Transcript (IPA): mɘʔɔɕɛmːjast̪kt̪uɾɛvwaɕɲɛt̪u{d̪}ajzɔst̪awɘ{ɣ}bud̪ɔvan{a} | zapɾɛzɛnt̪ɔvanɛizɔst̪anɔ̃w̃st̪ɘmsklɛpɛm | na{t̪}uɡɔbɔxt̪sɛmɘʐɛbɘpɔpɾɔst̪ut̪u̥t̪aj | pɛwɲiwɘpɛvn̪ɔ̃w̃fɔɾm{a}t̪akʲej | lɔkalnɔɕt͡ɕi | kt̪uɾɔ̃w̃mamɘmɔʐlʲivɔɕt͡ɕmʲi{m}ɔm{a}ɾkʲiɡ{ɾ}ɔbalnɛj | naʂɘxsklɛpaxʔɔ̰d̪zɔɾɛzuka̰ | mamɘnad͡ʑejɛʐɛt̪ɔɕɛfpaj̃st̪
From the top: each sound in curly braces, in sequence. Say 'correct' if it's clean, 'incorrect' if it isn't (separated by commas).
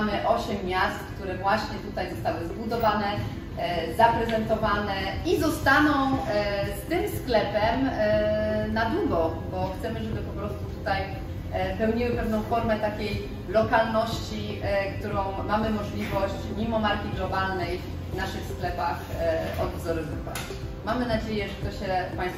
incorrect, incorrect, incorrect, incorrect, incorrect, correct, correct, incorrect